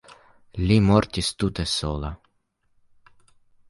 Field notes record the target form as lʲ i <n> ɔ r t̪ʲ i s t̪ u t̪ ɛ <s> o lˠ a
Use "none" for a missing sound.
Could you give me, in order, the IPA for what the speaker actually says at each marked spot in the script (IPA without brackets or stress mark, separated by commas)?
m, s